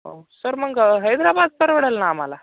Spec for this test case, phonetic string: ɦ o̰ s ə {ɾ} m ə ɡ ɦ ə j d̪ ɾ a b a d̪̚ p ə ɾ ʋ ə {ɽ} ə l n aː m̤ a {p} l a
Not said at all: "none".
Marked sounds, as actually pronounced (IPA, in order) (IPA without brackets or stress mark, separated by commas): ɾ, ɽ, none